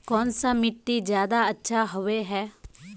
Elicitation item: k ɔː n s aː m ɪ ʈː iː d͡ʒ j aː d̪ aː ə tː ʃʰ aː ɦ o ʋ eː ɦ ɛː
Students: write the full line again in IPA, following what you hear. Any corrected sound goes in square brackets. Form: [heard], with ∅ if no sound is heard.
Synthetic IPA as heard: k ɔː n s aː m ɪ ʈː iː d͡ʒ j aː d̪ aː ə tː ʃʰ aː ɦ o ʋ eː ɦ ɛː

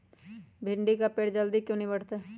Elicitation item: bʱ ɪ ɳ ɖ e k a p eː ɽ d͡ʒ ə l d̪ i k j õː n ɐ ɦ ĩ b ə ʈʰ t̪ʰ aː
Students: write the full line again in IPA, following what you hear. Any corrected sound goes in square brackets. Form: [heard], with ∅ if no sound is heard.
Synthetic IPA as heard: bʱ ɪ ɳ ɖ [i] k a p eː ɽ d͡ʒ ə l d̪ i k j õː n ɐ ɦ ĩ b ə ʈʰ [t̪] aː

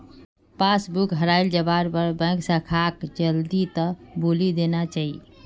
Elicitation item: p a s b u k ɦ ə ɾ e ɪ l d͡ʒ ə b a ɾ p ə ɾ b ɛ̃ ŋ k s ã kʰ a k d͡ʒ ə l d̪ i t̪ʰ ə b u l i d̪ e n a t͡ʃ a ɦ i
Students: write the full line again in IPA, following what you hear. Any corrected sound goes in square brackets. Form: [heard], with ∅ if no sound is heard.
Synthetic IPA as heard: p a s b u k ɦ ə ɾ [a] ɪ l d͡ʒ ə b a ɾ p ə ɾ b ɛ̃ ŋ k s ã kʰ a k d͡ʒ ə l d̪ i [t̪] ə b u l i d̪ e n a t͡ʃ a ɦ i

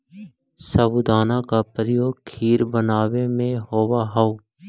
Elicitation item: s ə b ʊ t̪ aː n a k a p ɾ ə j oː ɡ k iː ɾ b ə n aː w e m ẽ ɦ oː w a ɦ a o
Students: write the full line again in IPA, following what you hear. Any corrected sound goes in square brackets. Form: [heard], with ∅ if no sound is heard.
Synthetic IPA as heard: s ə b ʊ [d̪] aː n a k a p ɾ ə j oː ɡ [kʰ] iː ɾ b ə n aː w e m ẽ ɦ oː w a ɦ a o

